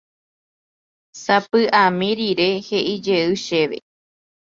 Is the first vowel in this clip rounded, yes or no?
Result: no